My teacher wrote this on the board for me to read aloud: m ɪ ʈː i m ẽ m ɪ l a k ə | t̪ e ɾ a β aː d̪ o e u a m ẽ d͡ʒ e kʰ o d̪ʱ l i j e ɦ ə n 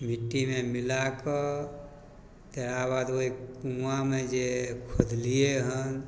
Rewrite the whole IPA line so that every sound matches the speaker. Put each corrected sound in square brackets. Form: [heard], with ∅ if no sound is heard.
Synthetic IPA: m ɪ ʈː i m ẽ m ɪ l a k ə | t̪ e ɾ a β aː d̪ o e u a m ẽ d͡ʒ e kʰ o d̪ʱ l i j e ɦ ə n